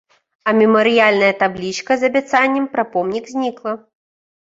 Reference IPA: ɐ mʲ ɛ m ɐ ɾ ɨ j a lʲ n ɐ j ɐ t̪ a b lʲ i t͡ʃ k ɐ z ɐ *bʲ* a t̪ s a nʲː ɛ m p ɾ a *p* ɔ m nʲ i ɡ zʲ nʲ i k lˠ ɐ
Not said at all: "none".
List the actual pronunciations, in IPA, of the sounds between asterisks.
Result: bʲ, p

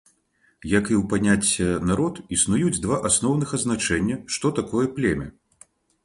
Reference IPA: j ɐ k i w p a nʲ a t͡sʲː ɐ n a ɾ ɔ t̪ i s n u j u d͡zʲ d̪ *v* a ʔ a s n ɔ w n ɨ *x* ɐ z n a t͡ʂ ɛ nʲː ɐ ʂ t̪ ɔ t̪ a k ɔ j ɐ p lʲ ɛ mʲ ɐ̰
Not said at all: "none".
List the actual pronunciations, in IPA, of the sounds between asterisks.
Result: v, x

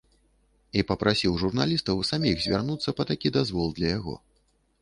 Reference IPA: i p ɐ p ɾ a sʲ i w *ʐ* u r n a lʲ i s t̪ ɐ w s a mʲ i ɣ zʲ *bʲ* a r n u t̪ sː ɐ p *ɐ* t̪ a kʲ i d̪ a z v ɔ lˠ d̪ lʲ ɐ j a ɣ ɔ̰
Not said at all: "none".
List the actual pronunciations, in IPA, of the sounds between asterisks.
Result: ʐ, vʲ, ɐ

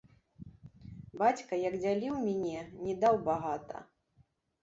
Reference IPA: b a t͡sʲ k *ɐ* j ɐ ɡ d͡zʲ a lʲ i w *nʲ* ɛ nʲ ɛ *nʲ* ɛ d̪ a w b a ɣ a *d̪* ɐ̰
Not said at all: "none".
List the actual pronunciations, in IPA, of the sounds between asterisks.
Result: ɐ, mʲ, nʲ, t̪

